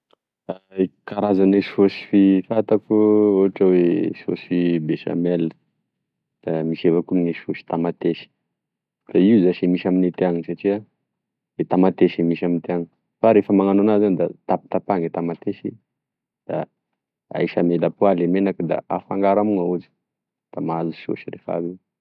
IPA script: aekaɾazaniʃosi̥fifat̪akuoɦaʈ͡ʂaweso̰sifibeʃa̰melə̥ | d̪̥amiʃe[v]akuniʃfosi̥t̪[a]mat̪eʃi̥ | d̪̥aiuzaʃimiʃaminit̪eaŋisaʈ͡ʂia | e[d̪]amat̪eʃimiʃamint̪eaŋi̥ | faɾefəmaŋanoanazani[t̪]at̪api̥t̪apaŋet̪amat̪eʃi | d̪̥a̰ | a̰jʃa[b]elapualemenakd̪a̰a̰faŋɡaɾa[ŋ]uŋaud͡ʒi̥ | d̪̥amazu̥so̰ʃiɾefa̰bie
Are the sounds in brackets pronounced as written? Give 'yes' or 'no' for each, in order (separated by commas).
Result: yes, yes, no, no, no, no